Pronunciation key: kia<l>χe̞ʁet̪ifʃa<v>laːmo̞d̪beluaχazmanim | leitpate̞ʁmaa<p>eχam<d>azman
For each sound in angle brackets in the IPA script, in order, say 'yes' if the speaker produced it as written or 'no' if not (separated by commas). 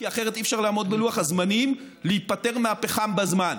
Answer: no, no, yes, no